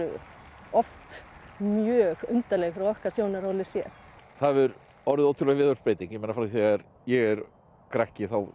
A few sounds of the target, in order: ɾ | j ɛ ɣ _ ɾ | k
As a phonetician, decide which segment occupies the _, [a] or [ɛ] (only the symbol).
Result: ɛ